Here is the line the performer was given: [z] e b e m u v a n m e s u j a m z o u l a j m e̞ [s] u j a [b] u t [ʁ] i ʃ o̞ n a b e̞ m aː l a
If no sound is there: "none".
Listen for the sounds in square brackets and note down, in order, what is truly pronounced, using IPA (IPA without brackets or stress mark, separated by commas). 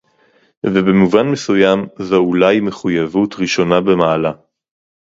v, χ, v, ʁ